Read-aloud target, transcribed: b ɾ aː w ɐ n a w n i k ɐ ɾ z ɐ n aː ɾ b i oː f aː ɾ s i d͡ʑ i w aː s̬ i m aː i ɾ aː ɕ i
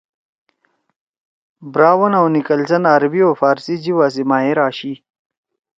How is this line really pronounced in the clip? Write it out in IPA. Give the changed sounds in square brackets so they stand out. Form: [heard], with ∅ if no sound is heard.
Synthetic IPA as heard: b ɾ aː w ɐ n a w n i k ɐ [l] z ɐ n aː ɾ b i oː f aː ɾ s i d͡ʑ i w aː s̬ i m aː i ɾ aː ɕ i